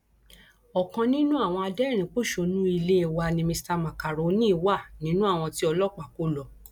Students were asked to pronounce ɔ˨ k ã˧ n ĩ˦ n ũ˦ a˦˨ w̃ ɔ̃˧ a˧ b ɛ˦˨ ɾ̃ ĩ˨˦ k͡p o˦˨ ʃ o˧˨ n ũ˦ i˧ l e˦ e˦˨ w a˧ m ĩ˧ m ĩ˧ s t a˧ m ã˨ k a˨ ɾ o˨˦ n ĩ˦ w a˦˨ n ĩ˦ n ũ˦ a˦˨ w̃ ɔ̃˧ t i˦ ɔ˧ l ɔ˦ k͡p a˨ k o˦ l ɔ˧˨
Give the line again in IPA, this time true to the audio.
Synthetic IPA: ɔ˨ k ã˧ n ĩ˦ n ũ˦ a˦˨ w̃ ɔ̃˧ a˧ d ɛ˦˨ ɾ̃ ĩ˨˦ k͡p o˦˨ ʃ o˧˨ n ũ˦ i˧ l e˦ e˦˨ w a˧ n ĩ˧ m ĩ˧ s t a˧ m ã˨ k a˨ ɾ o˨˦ n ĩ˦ w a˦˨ n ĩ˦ n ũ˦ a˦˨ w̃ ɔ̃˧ t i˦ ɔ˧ l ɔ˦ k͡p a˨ k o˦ l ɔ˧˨